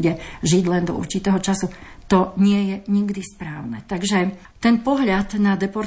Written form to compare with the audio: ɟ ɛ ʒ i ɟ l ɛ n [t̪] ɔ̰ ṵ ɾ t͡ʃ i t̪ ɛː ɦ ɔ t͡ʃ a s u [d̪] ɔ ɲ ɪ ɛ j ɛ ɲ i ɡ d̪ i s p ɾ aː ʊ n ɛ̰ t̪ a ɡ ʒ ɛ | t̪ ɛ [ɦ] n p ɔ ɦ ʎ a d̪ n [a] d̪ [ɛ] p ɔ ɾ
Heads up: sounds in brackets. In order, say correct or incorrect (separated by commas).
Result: incorrect, incorrect, incorrect, correct, correct